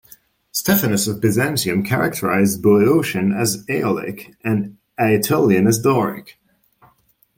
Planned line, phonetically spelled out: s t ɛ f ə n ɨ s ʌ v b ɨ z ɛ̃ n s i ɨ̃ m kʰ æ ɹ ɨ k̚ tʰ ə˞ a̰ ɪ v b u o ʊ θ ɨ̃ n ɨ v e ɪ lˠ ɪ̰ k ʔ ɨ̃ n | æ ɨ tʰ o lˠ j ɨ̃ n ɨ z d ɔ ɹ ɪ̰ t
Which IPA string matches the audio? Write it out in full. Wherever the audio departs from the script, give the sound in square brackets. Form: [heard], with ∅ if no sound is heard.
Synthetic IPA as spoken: s t ɛ f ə n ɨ s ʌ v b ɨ z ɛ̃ n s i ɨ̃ m kʰ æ ɹ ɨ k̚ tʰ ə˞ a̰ ɪ [z] b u o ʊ [ʃ] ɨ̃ n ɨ [z] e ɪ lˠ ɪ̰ k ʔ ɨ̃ n | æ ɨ tʰ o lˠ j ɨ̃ n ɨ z d ɔ ɹ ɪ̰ [k]